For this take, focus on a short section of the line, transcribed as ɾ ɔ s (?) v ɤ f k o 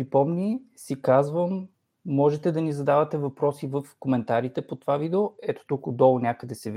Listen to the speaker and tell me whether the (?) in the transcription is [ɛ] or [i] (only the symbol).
i